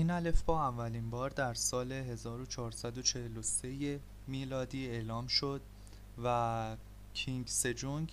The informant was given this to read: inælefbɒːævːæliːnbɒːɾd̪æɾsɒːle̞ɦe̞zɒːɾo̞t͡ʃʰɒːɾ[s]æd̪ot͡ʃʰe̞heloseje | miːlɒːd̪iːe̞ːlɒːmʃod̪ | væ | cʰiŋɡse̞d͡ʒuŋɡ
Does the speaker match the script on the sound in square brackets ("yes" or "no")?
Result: yes